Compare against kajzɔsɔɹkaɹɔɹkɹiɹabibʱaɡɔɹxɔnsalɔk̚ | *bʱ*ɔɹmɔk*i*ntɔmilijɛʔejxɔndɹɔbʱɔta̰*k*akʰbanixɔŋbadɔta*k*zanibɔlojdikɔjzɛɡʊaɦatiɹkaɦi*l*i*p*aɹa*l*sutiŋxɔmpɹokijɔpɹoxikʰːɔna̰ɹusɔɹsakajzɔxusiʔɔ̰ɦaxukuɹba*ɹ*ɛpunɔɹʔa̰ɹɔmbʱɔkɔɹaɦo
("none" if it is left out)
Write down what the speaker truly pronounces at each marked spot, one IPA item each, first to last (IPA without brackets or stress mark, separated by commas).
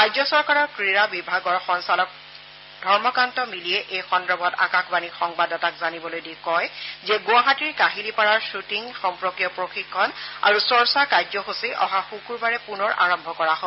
dʱ, a, k, k, l, p, ɹ, ɹ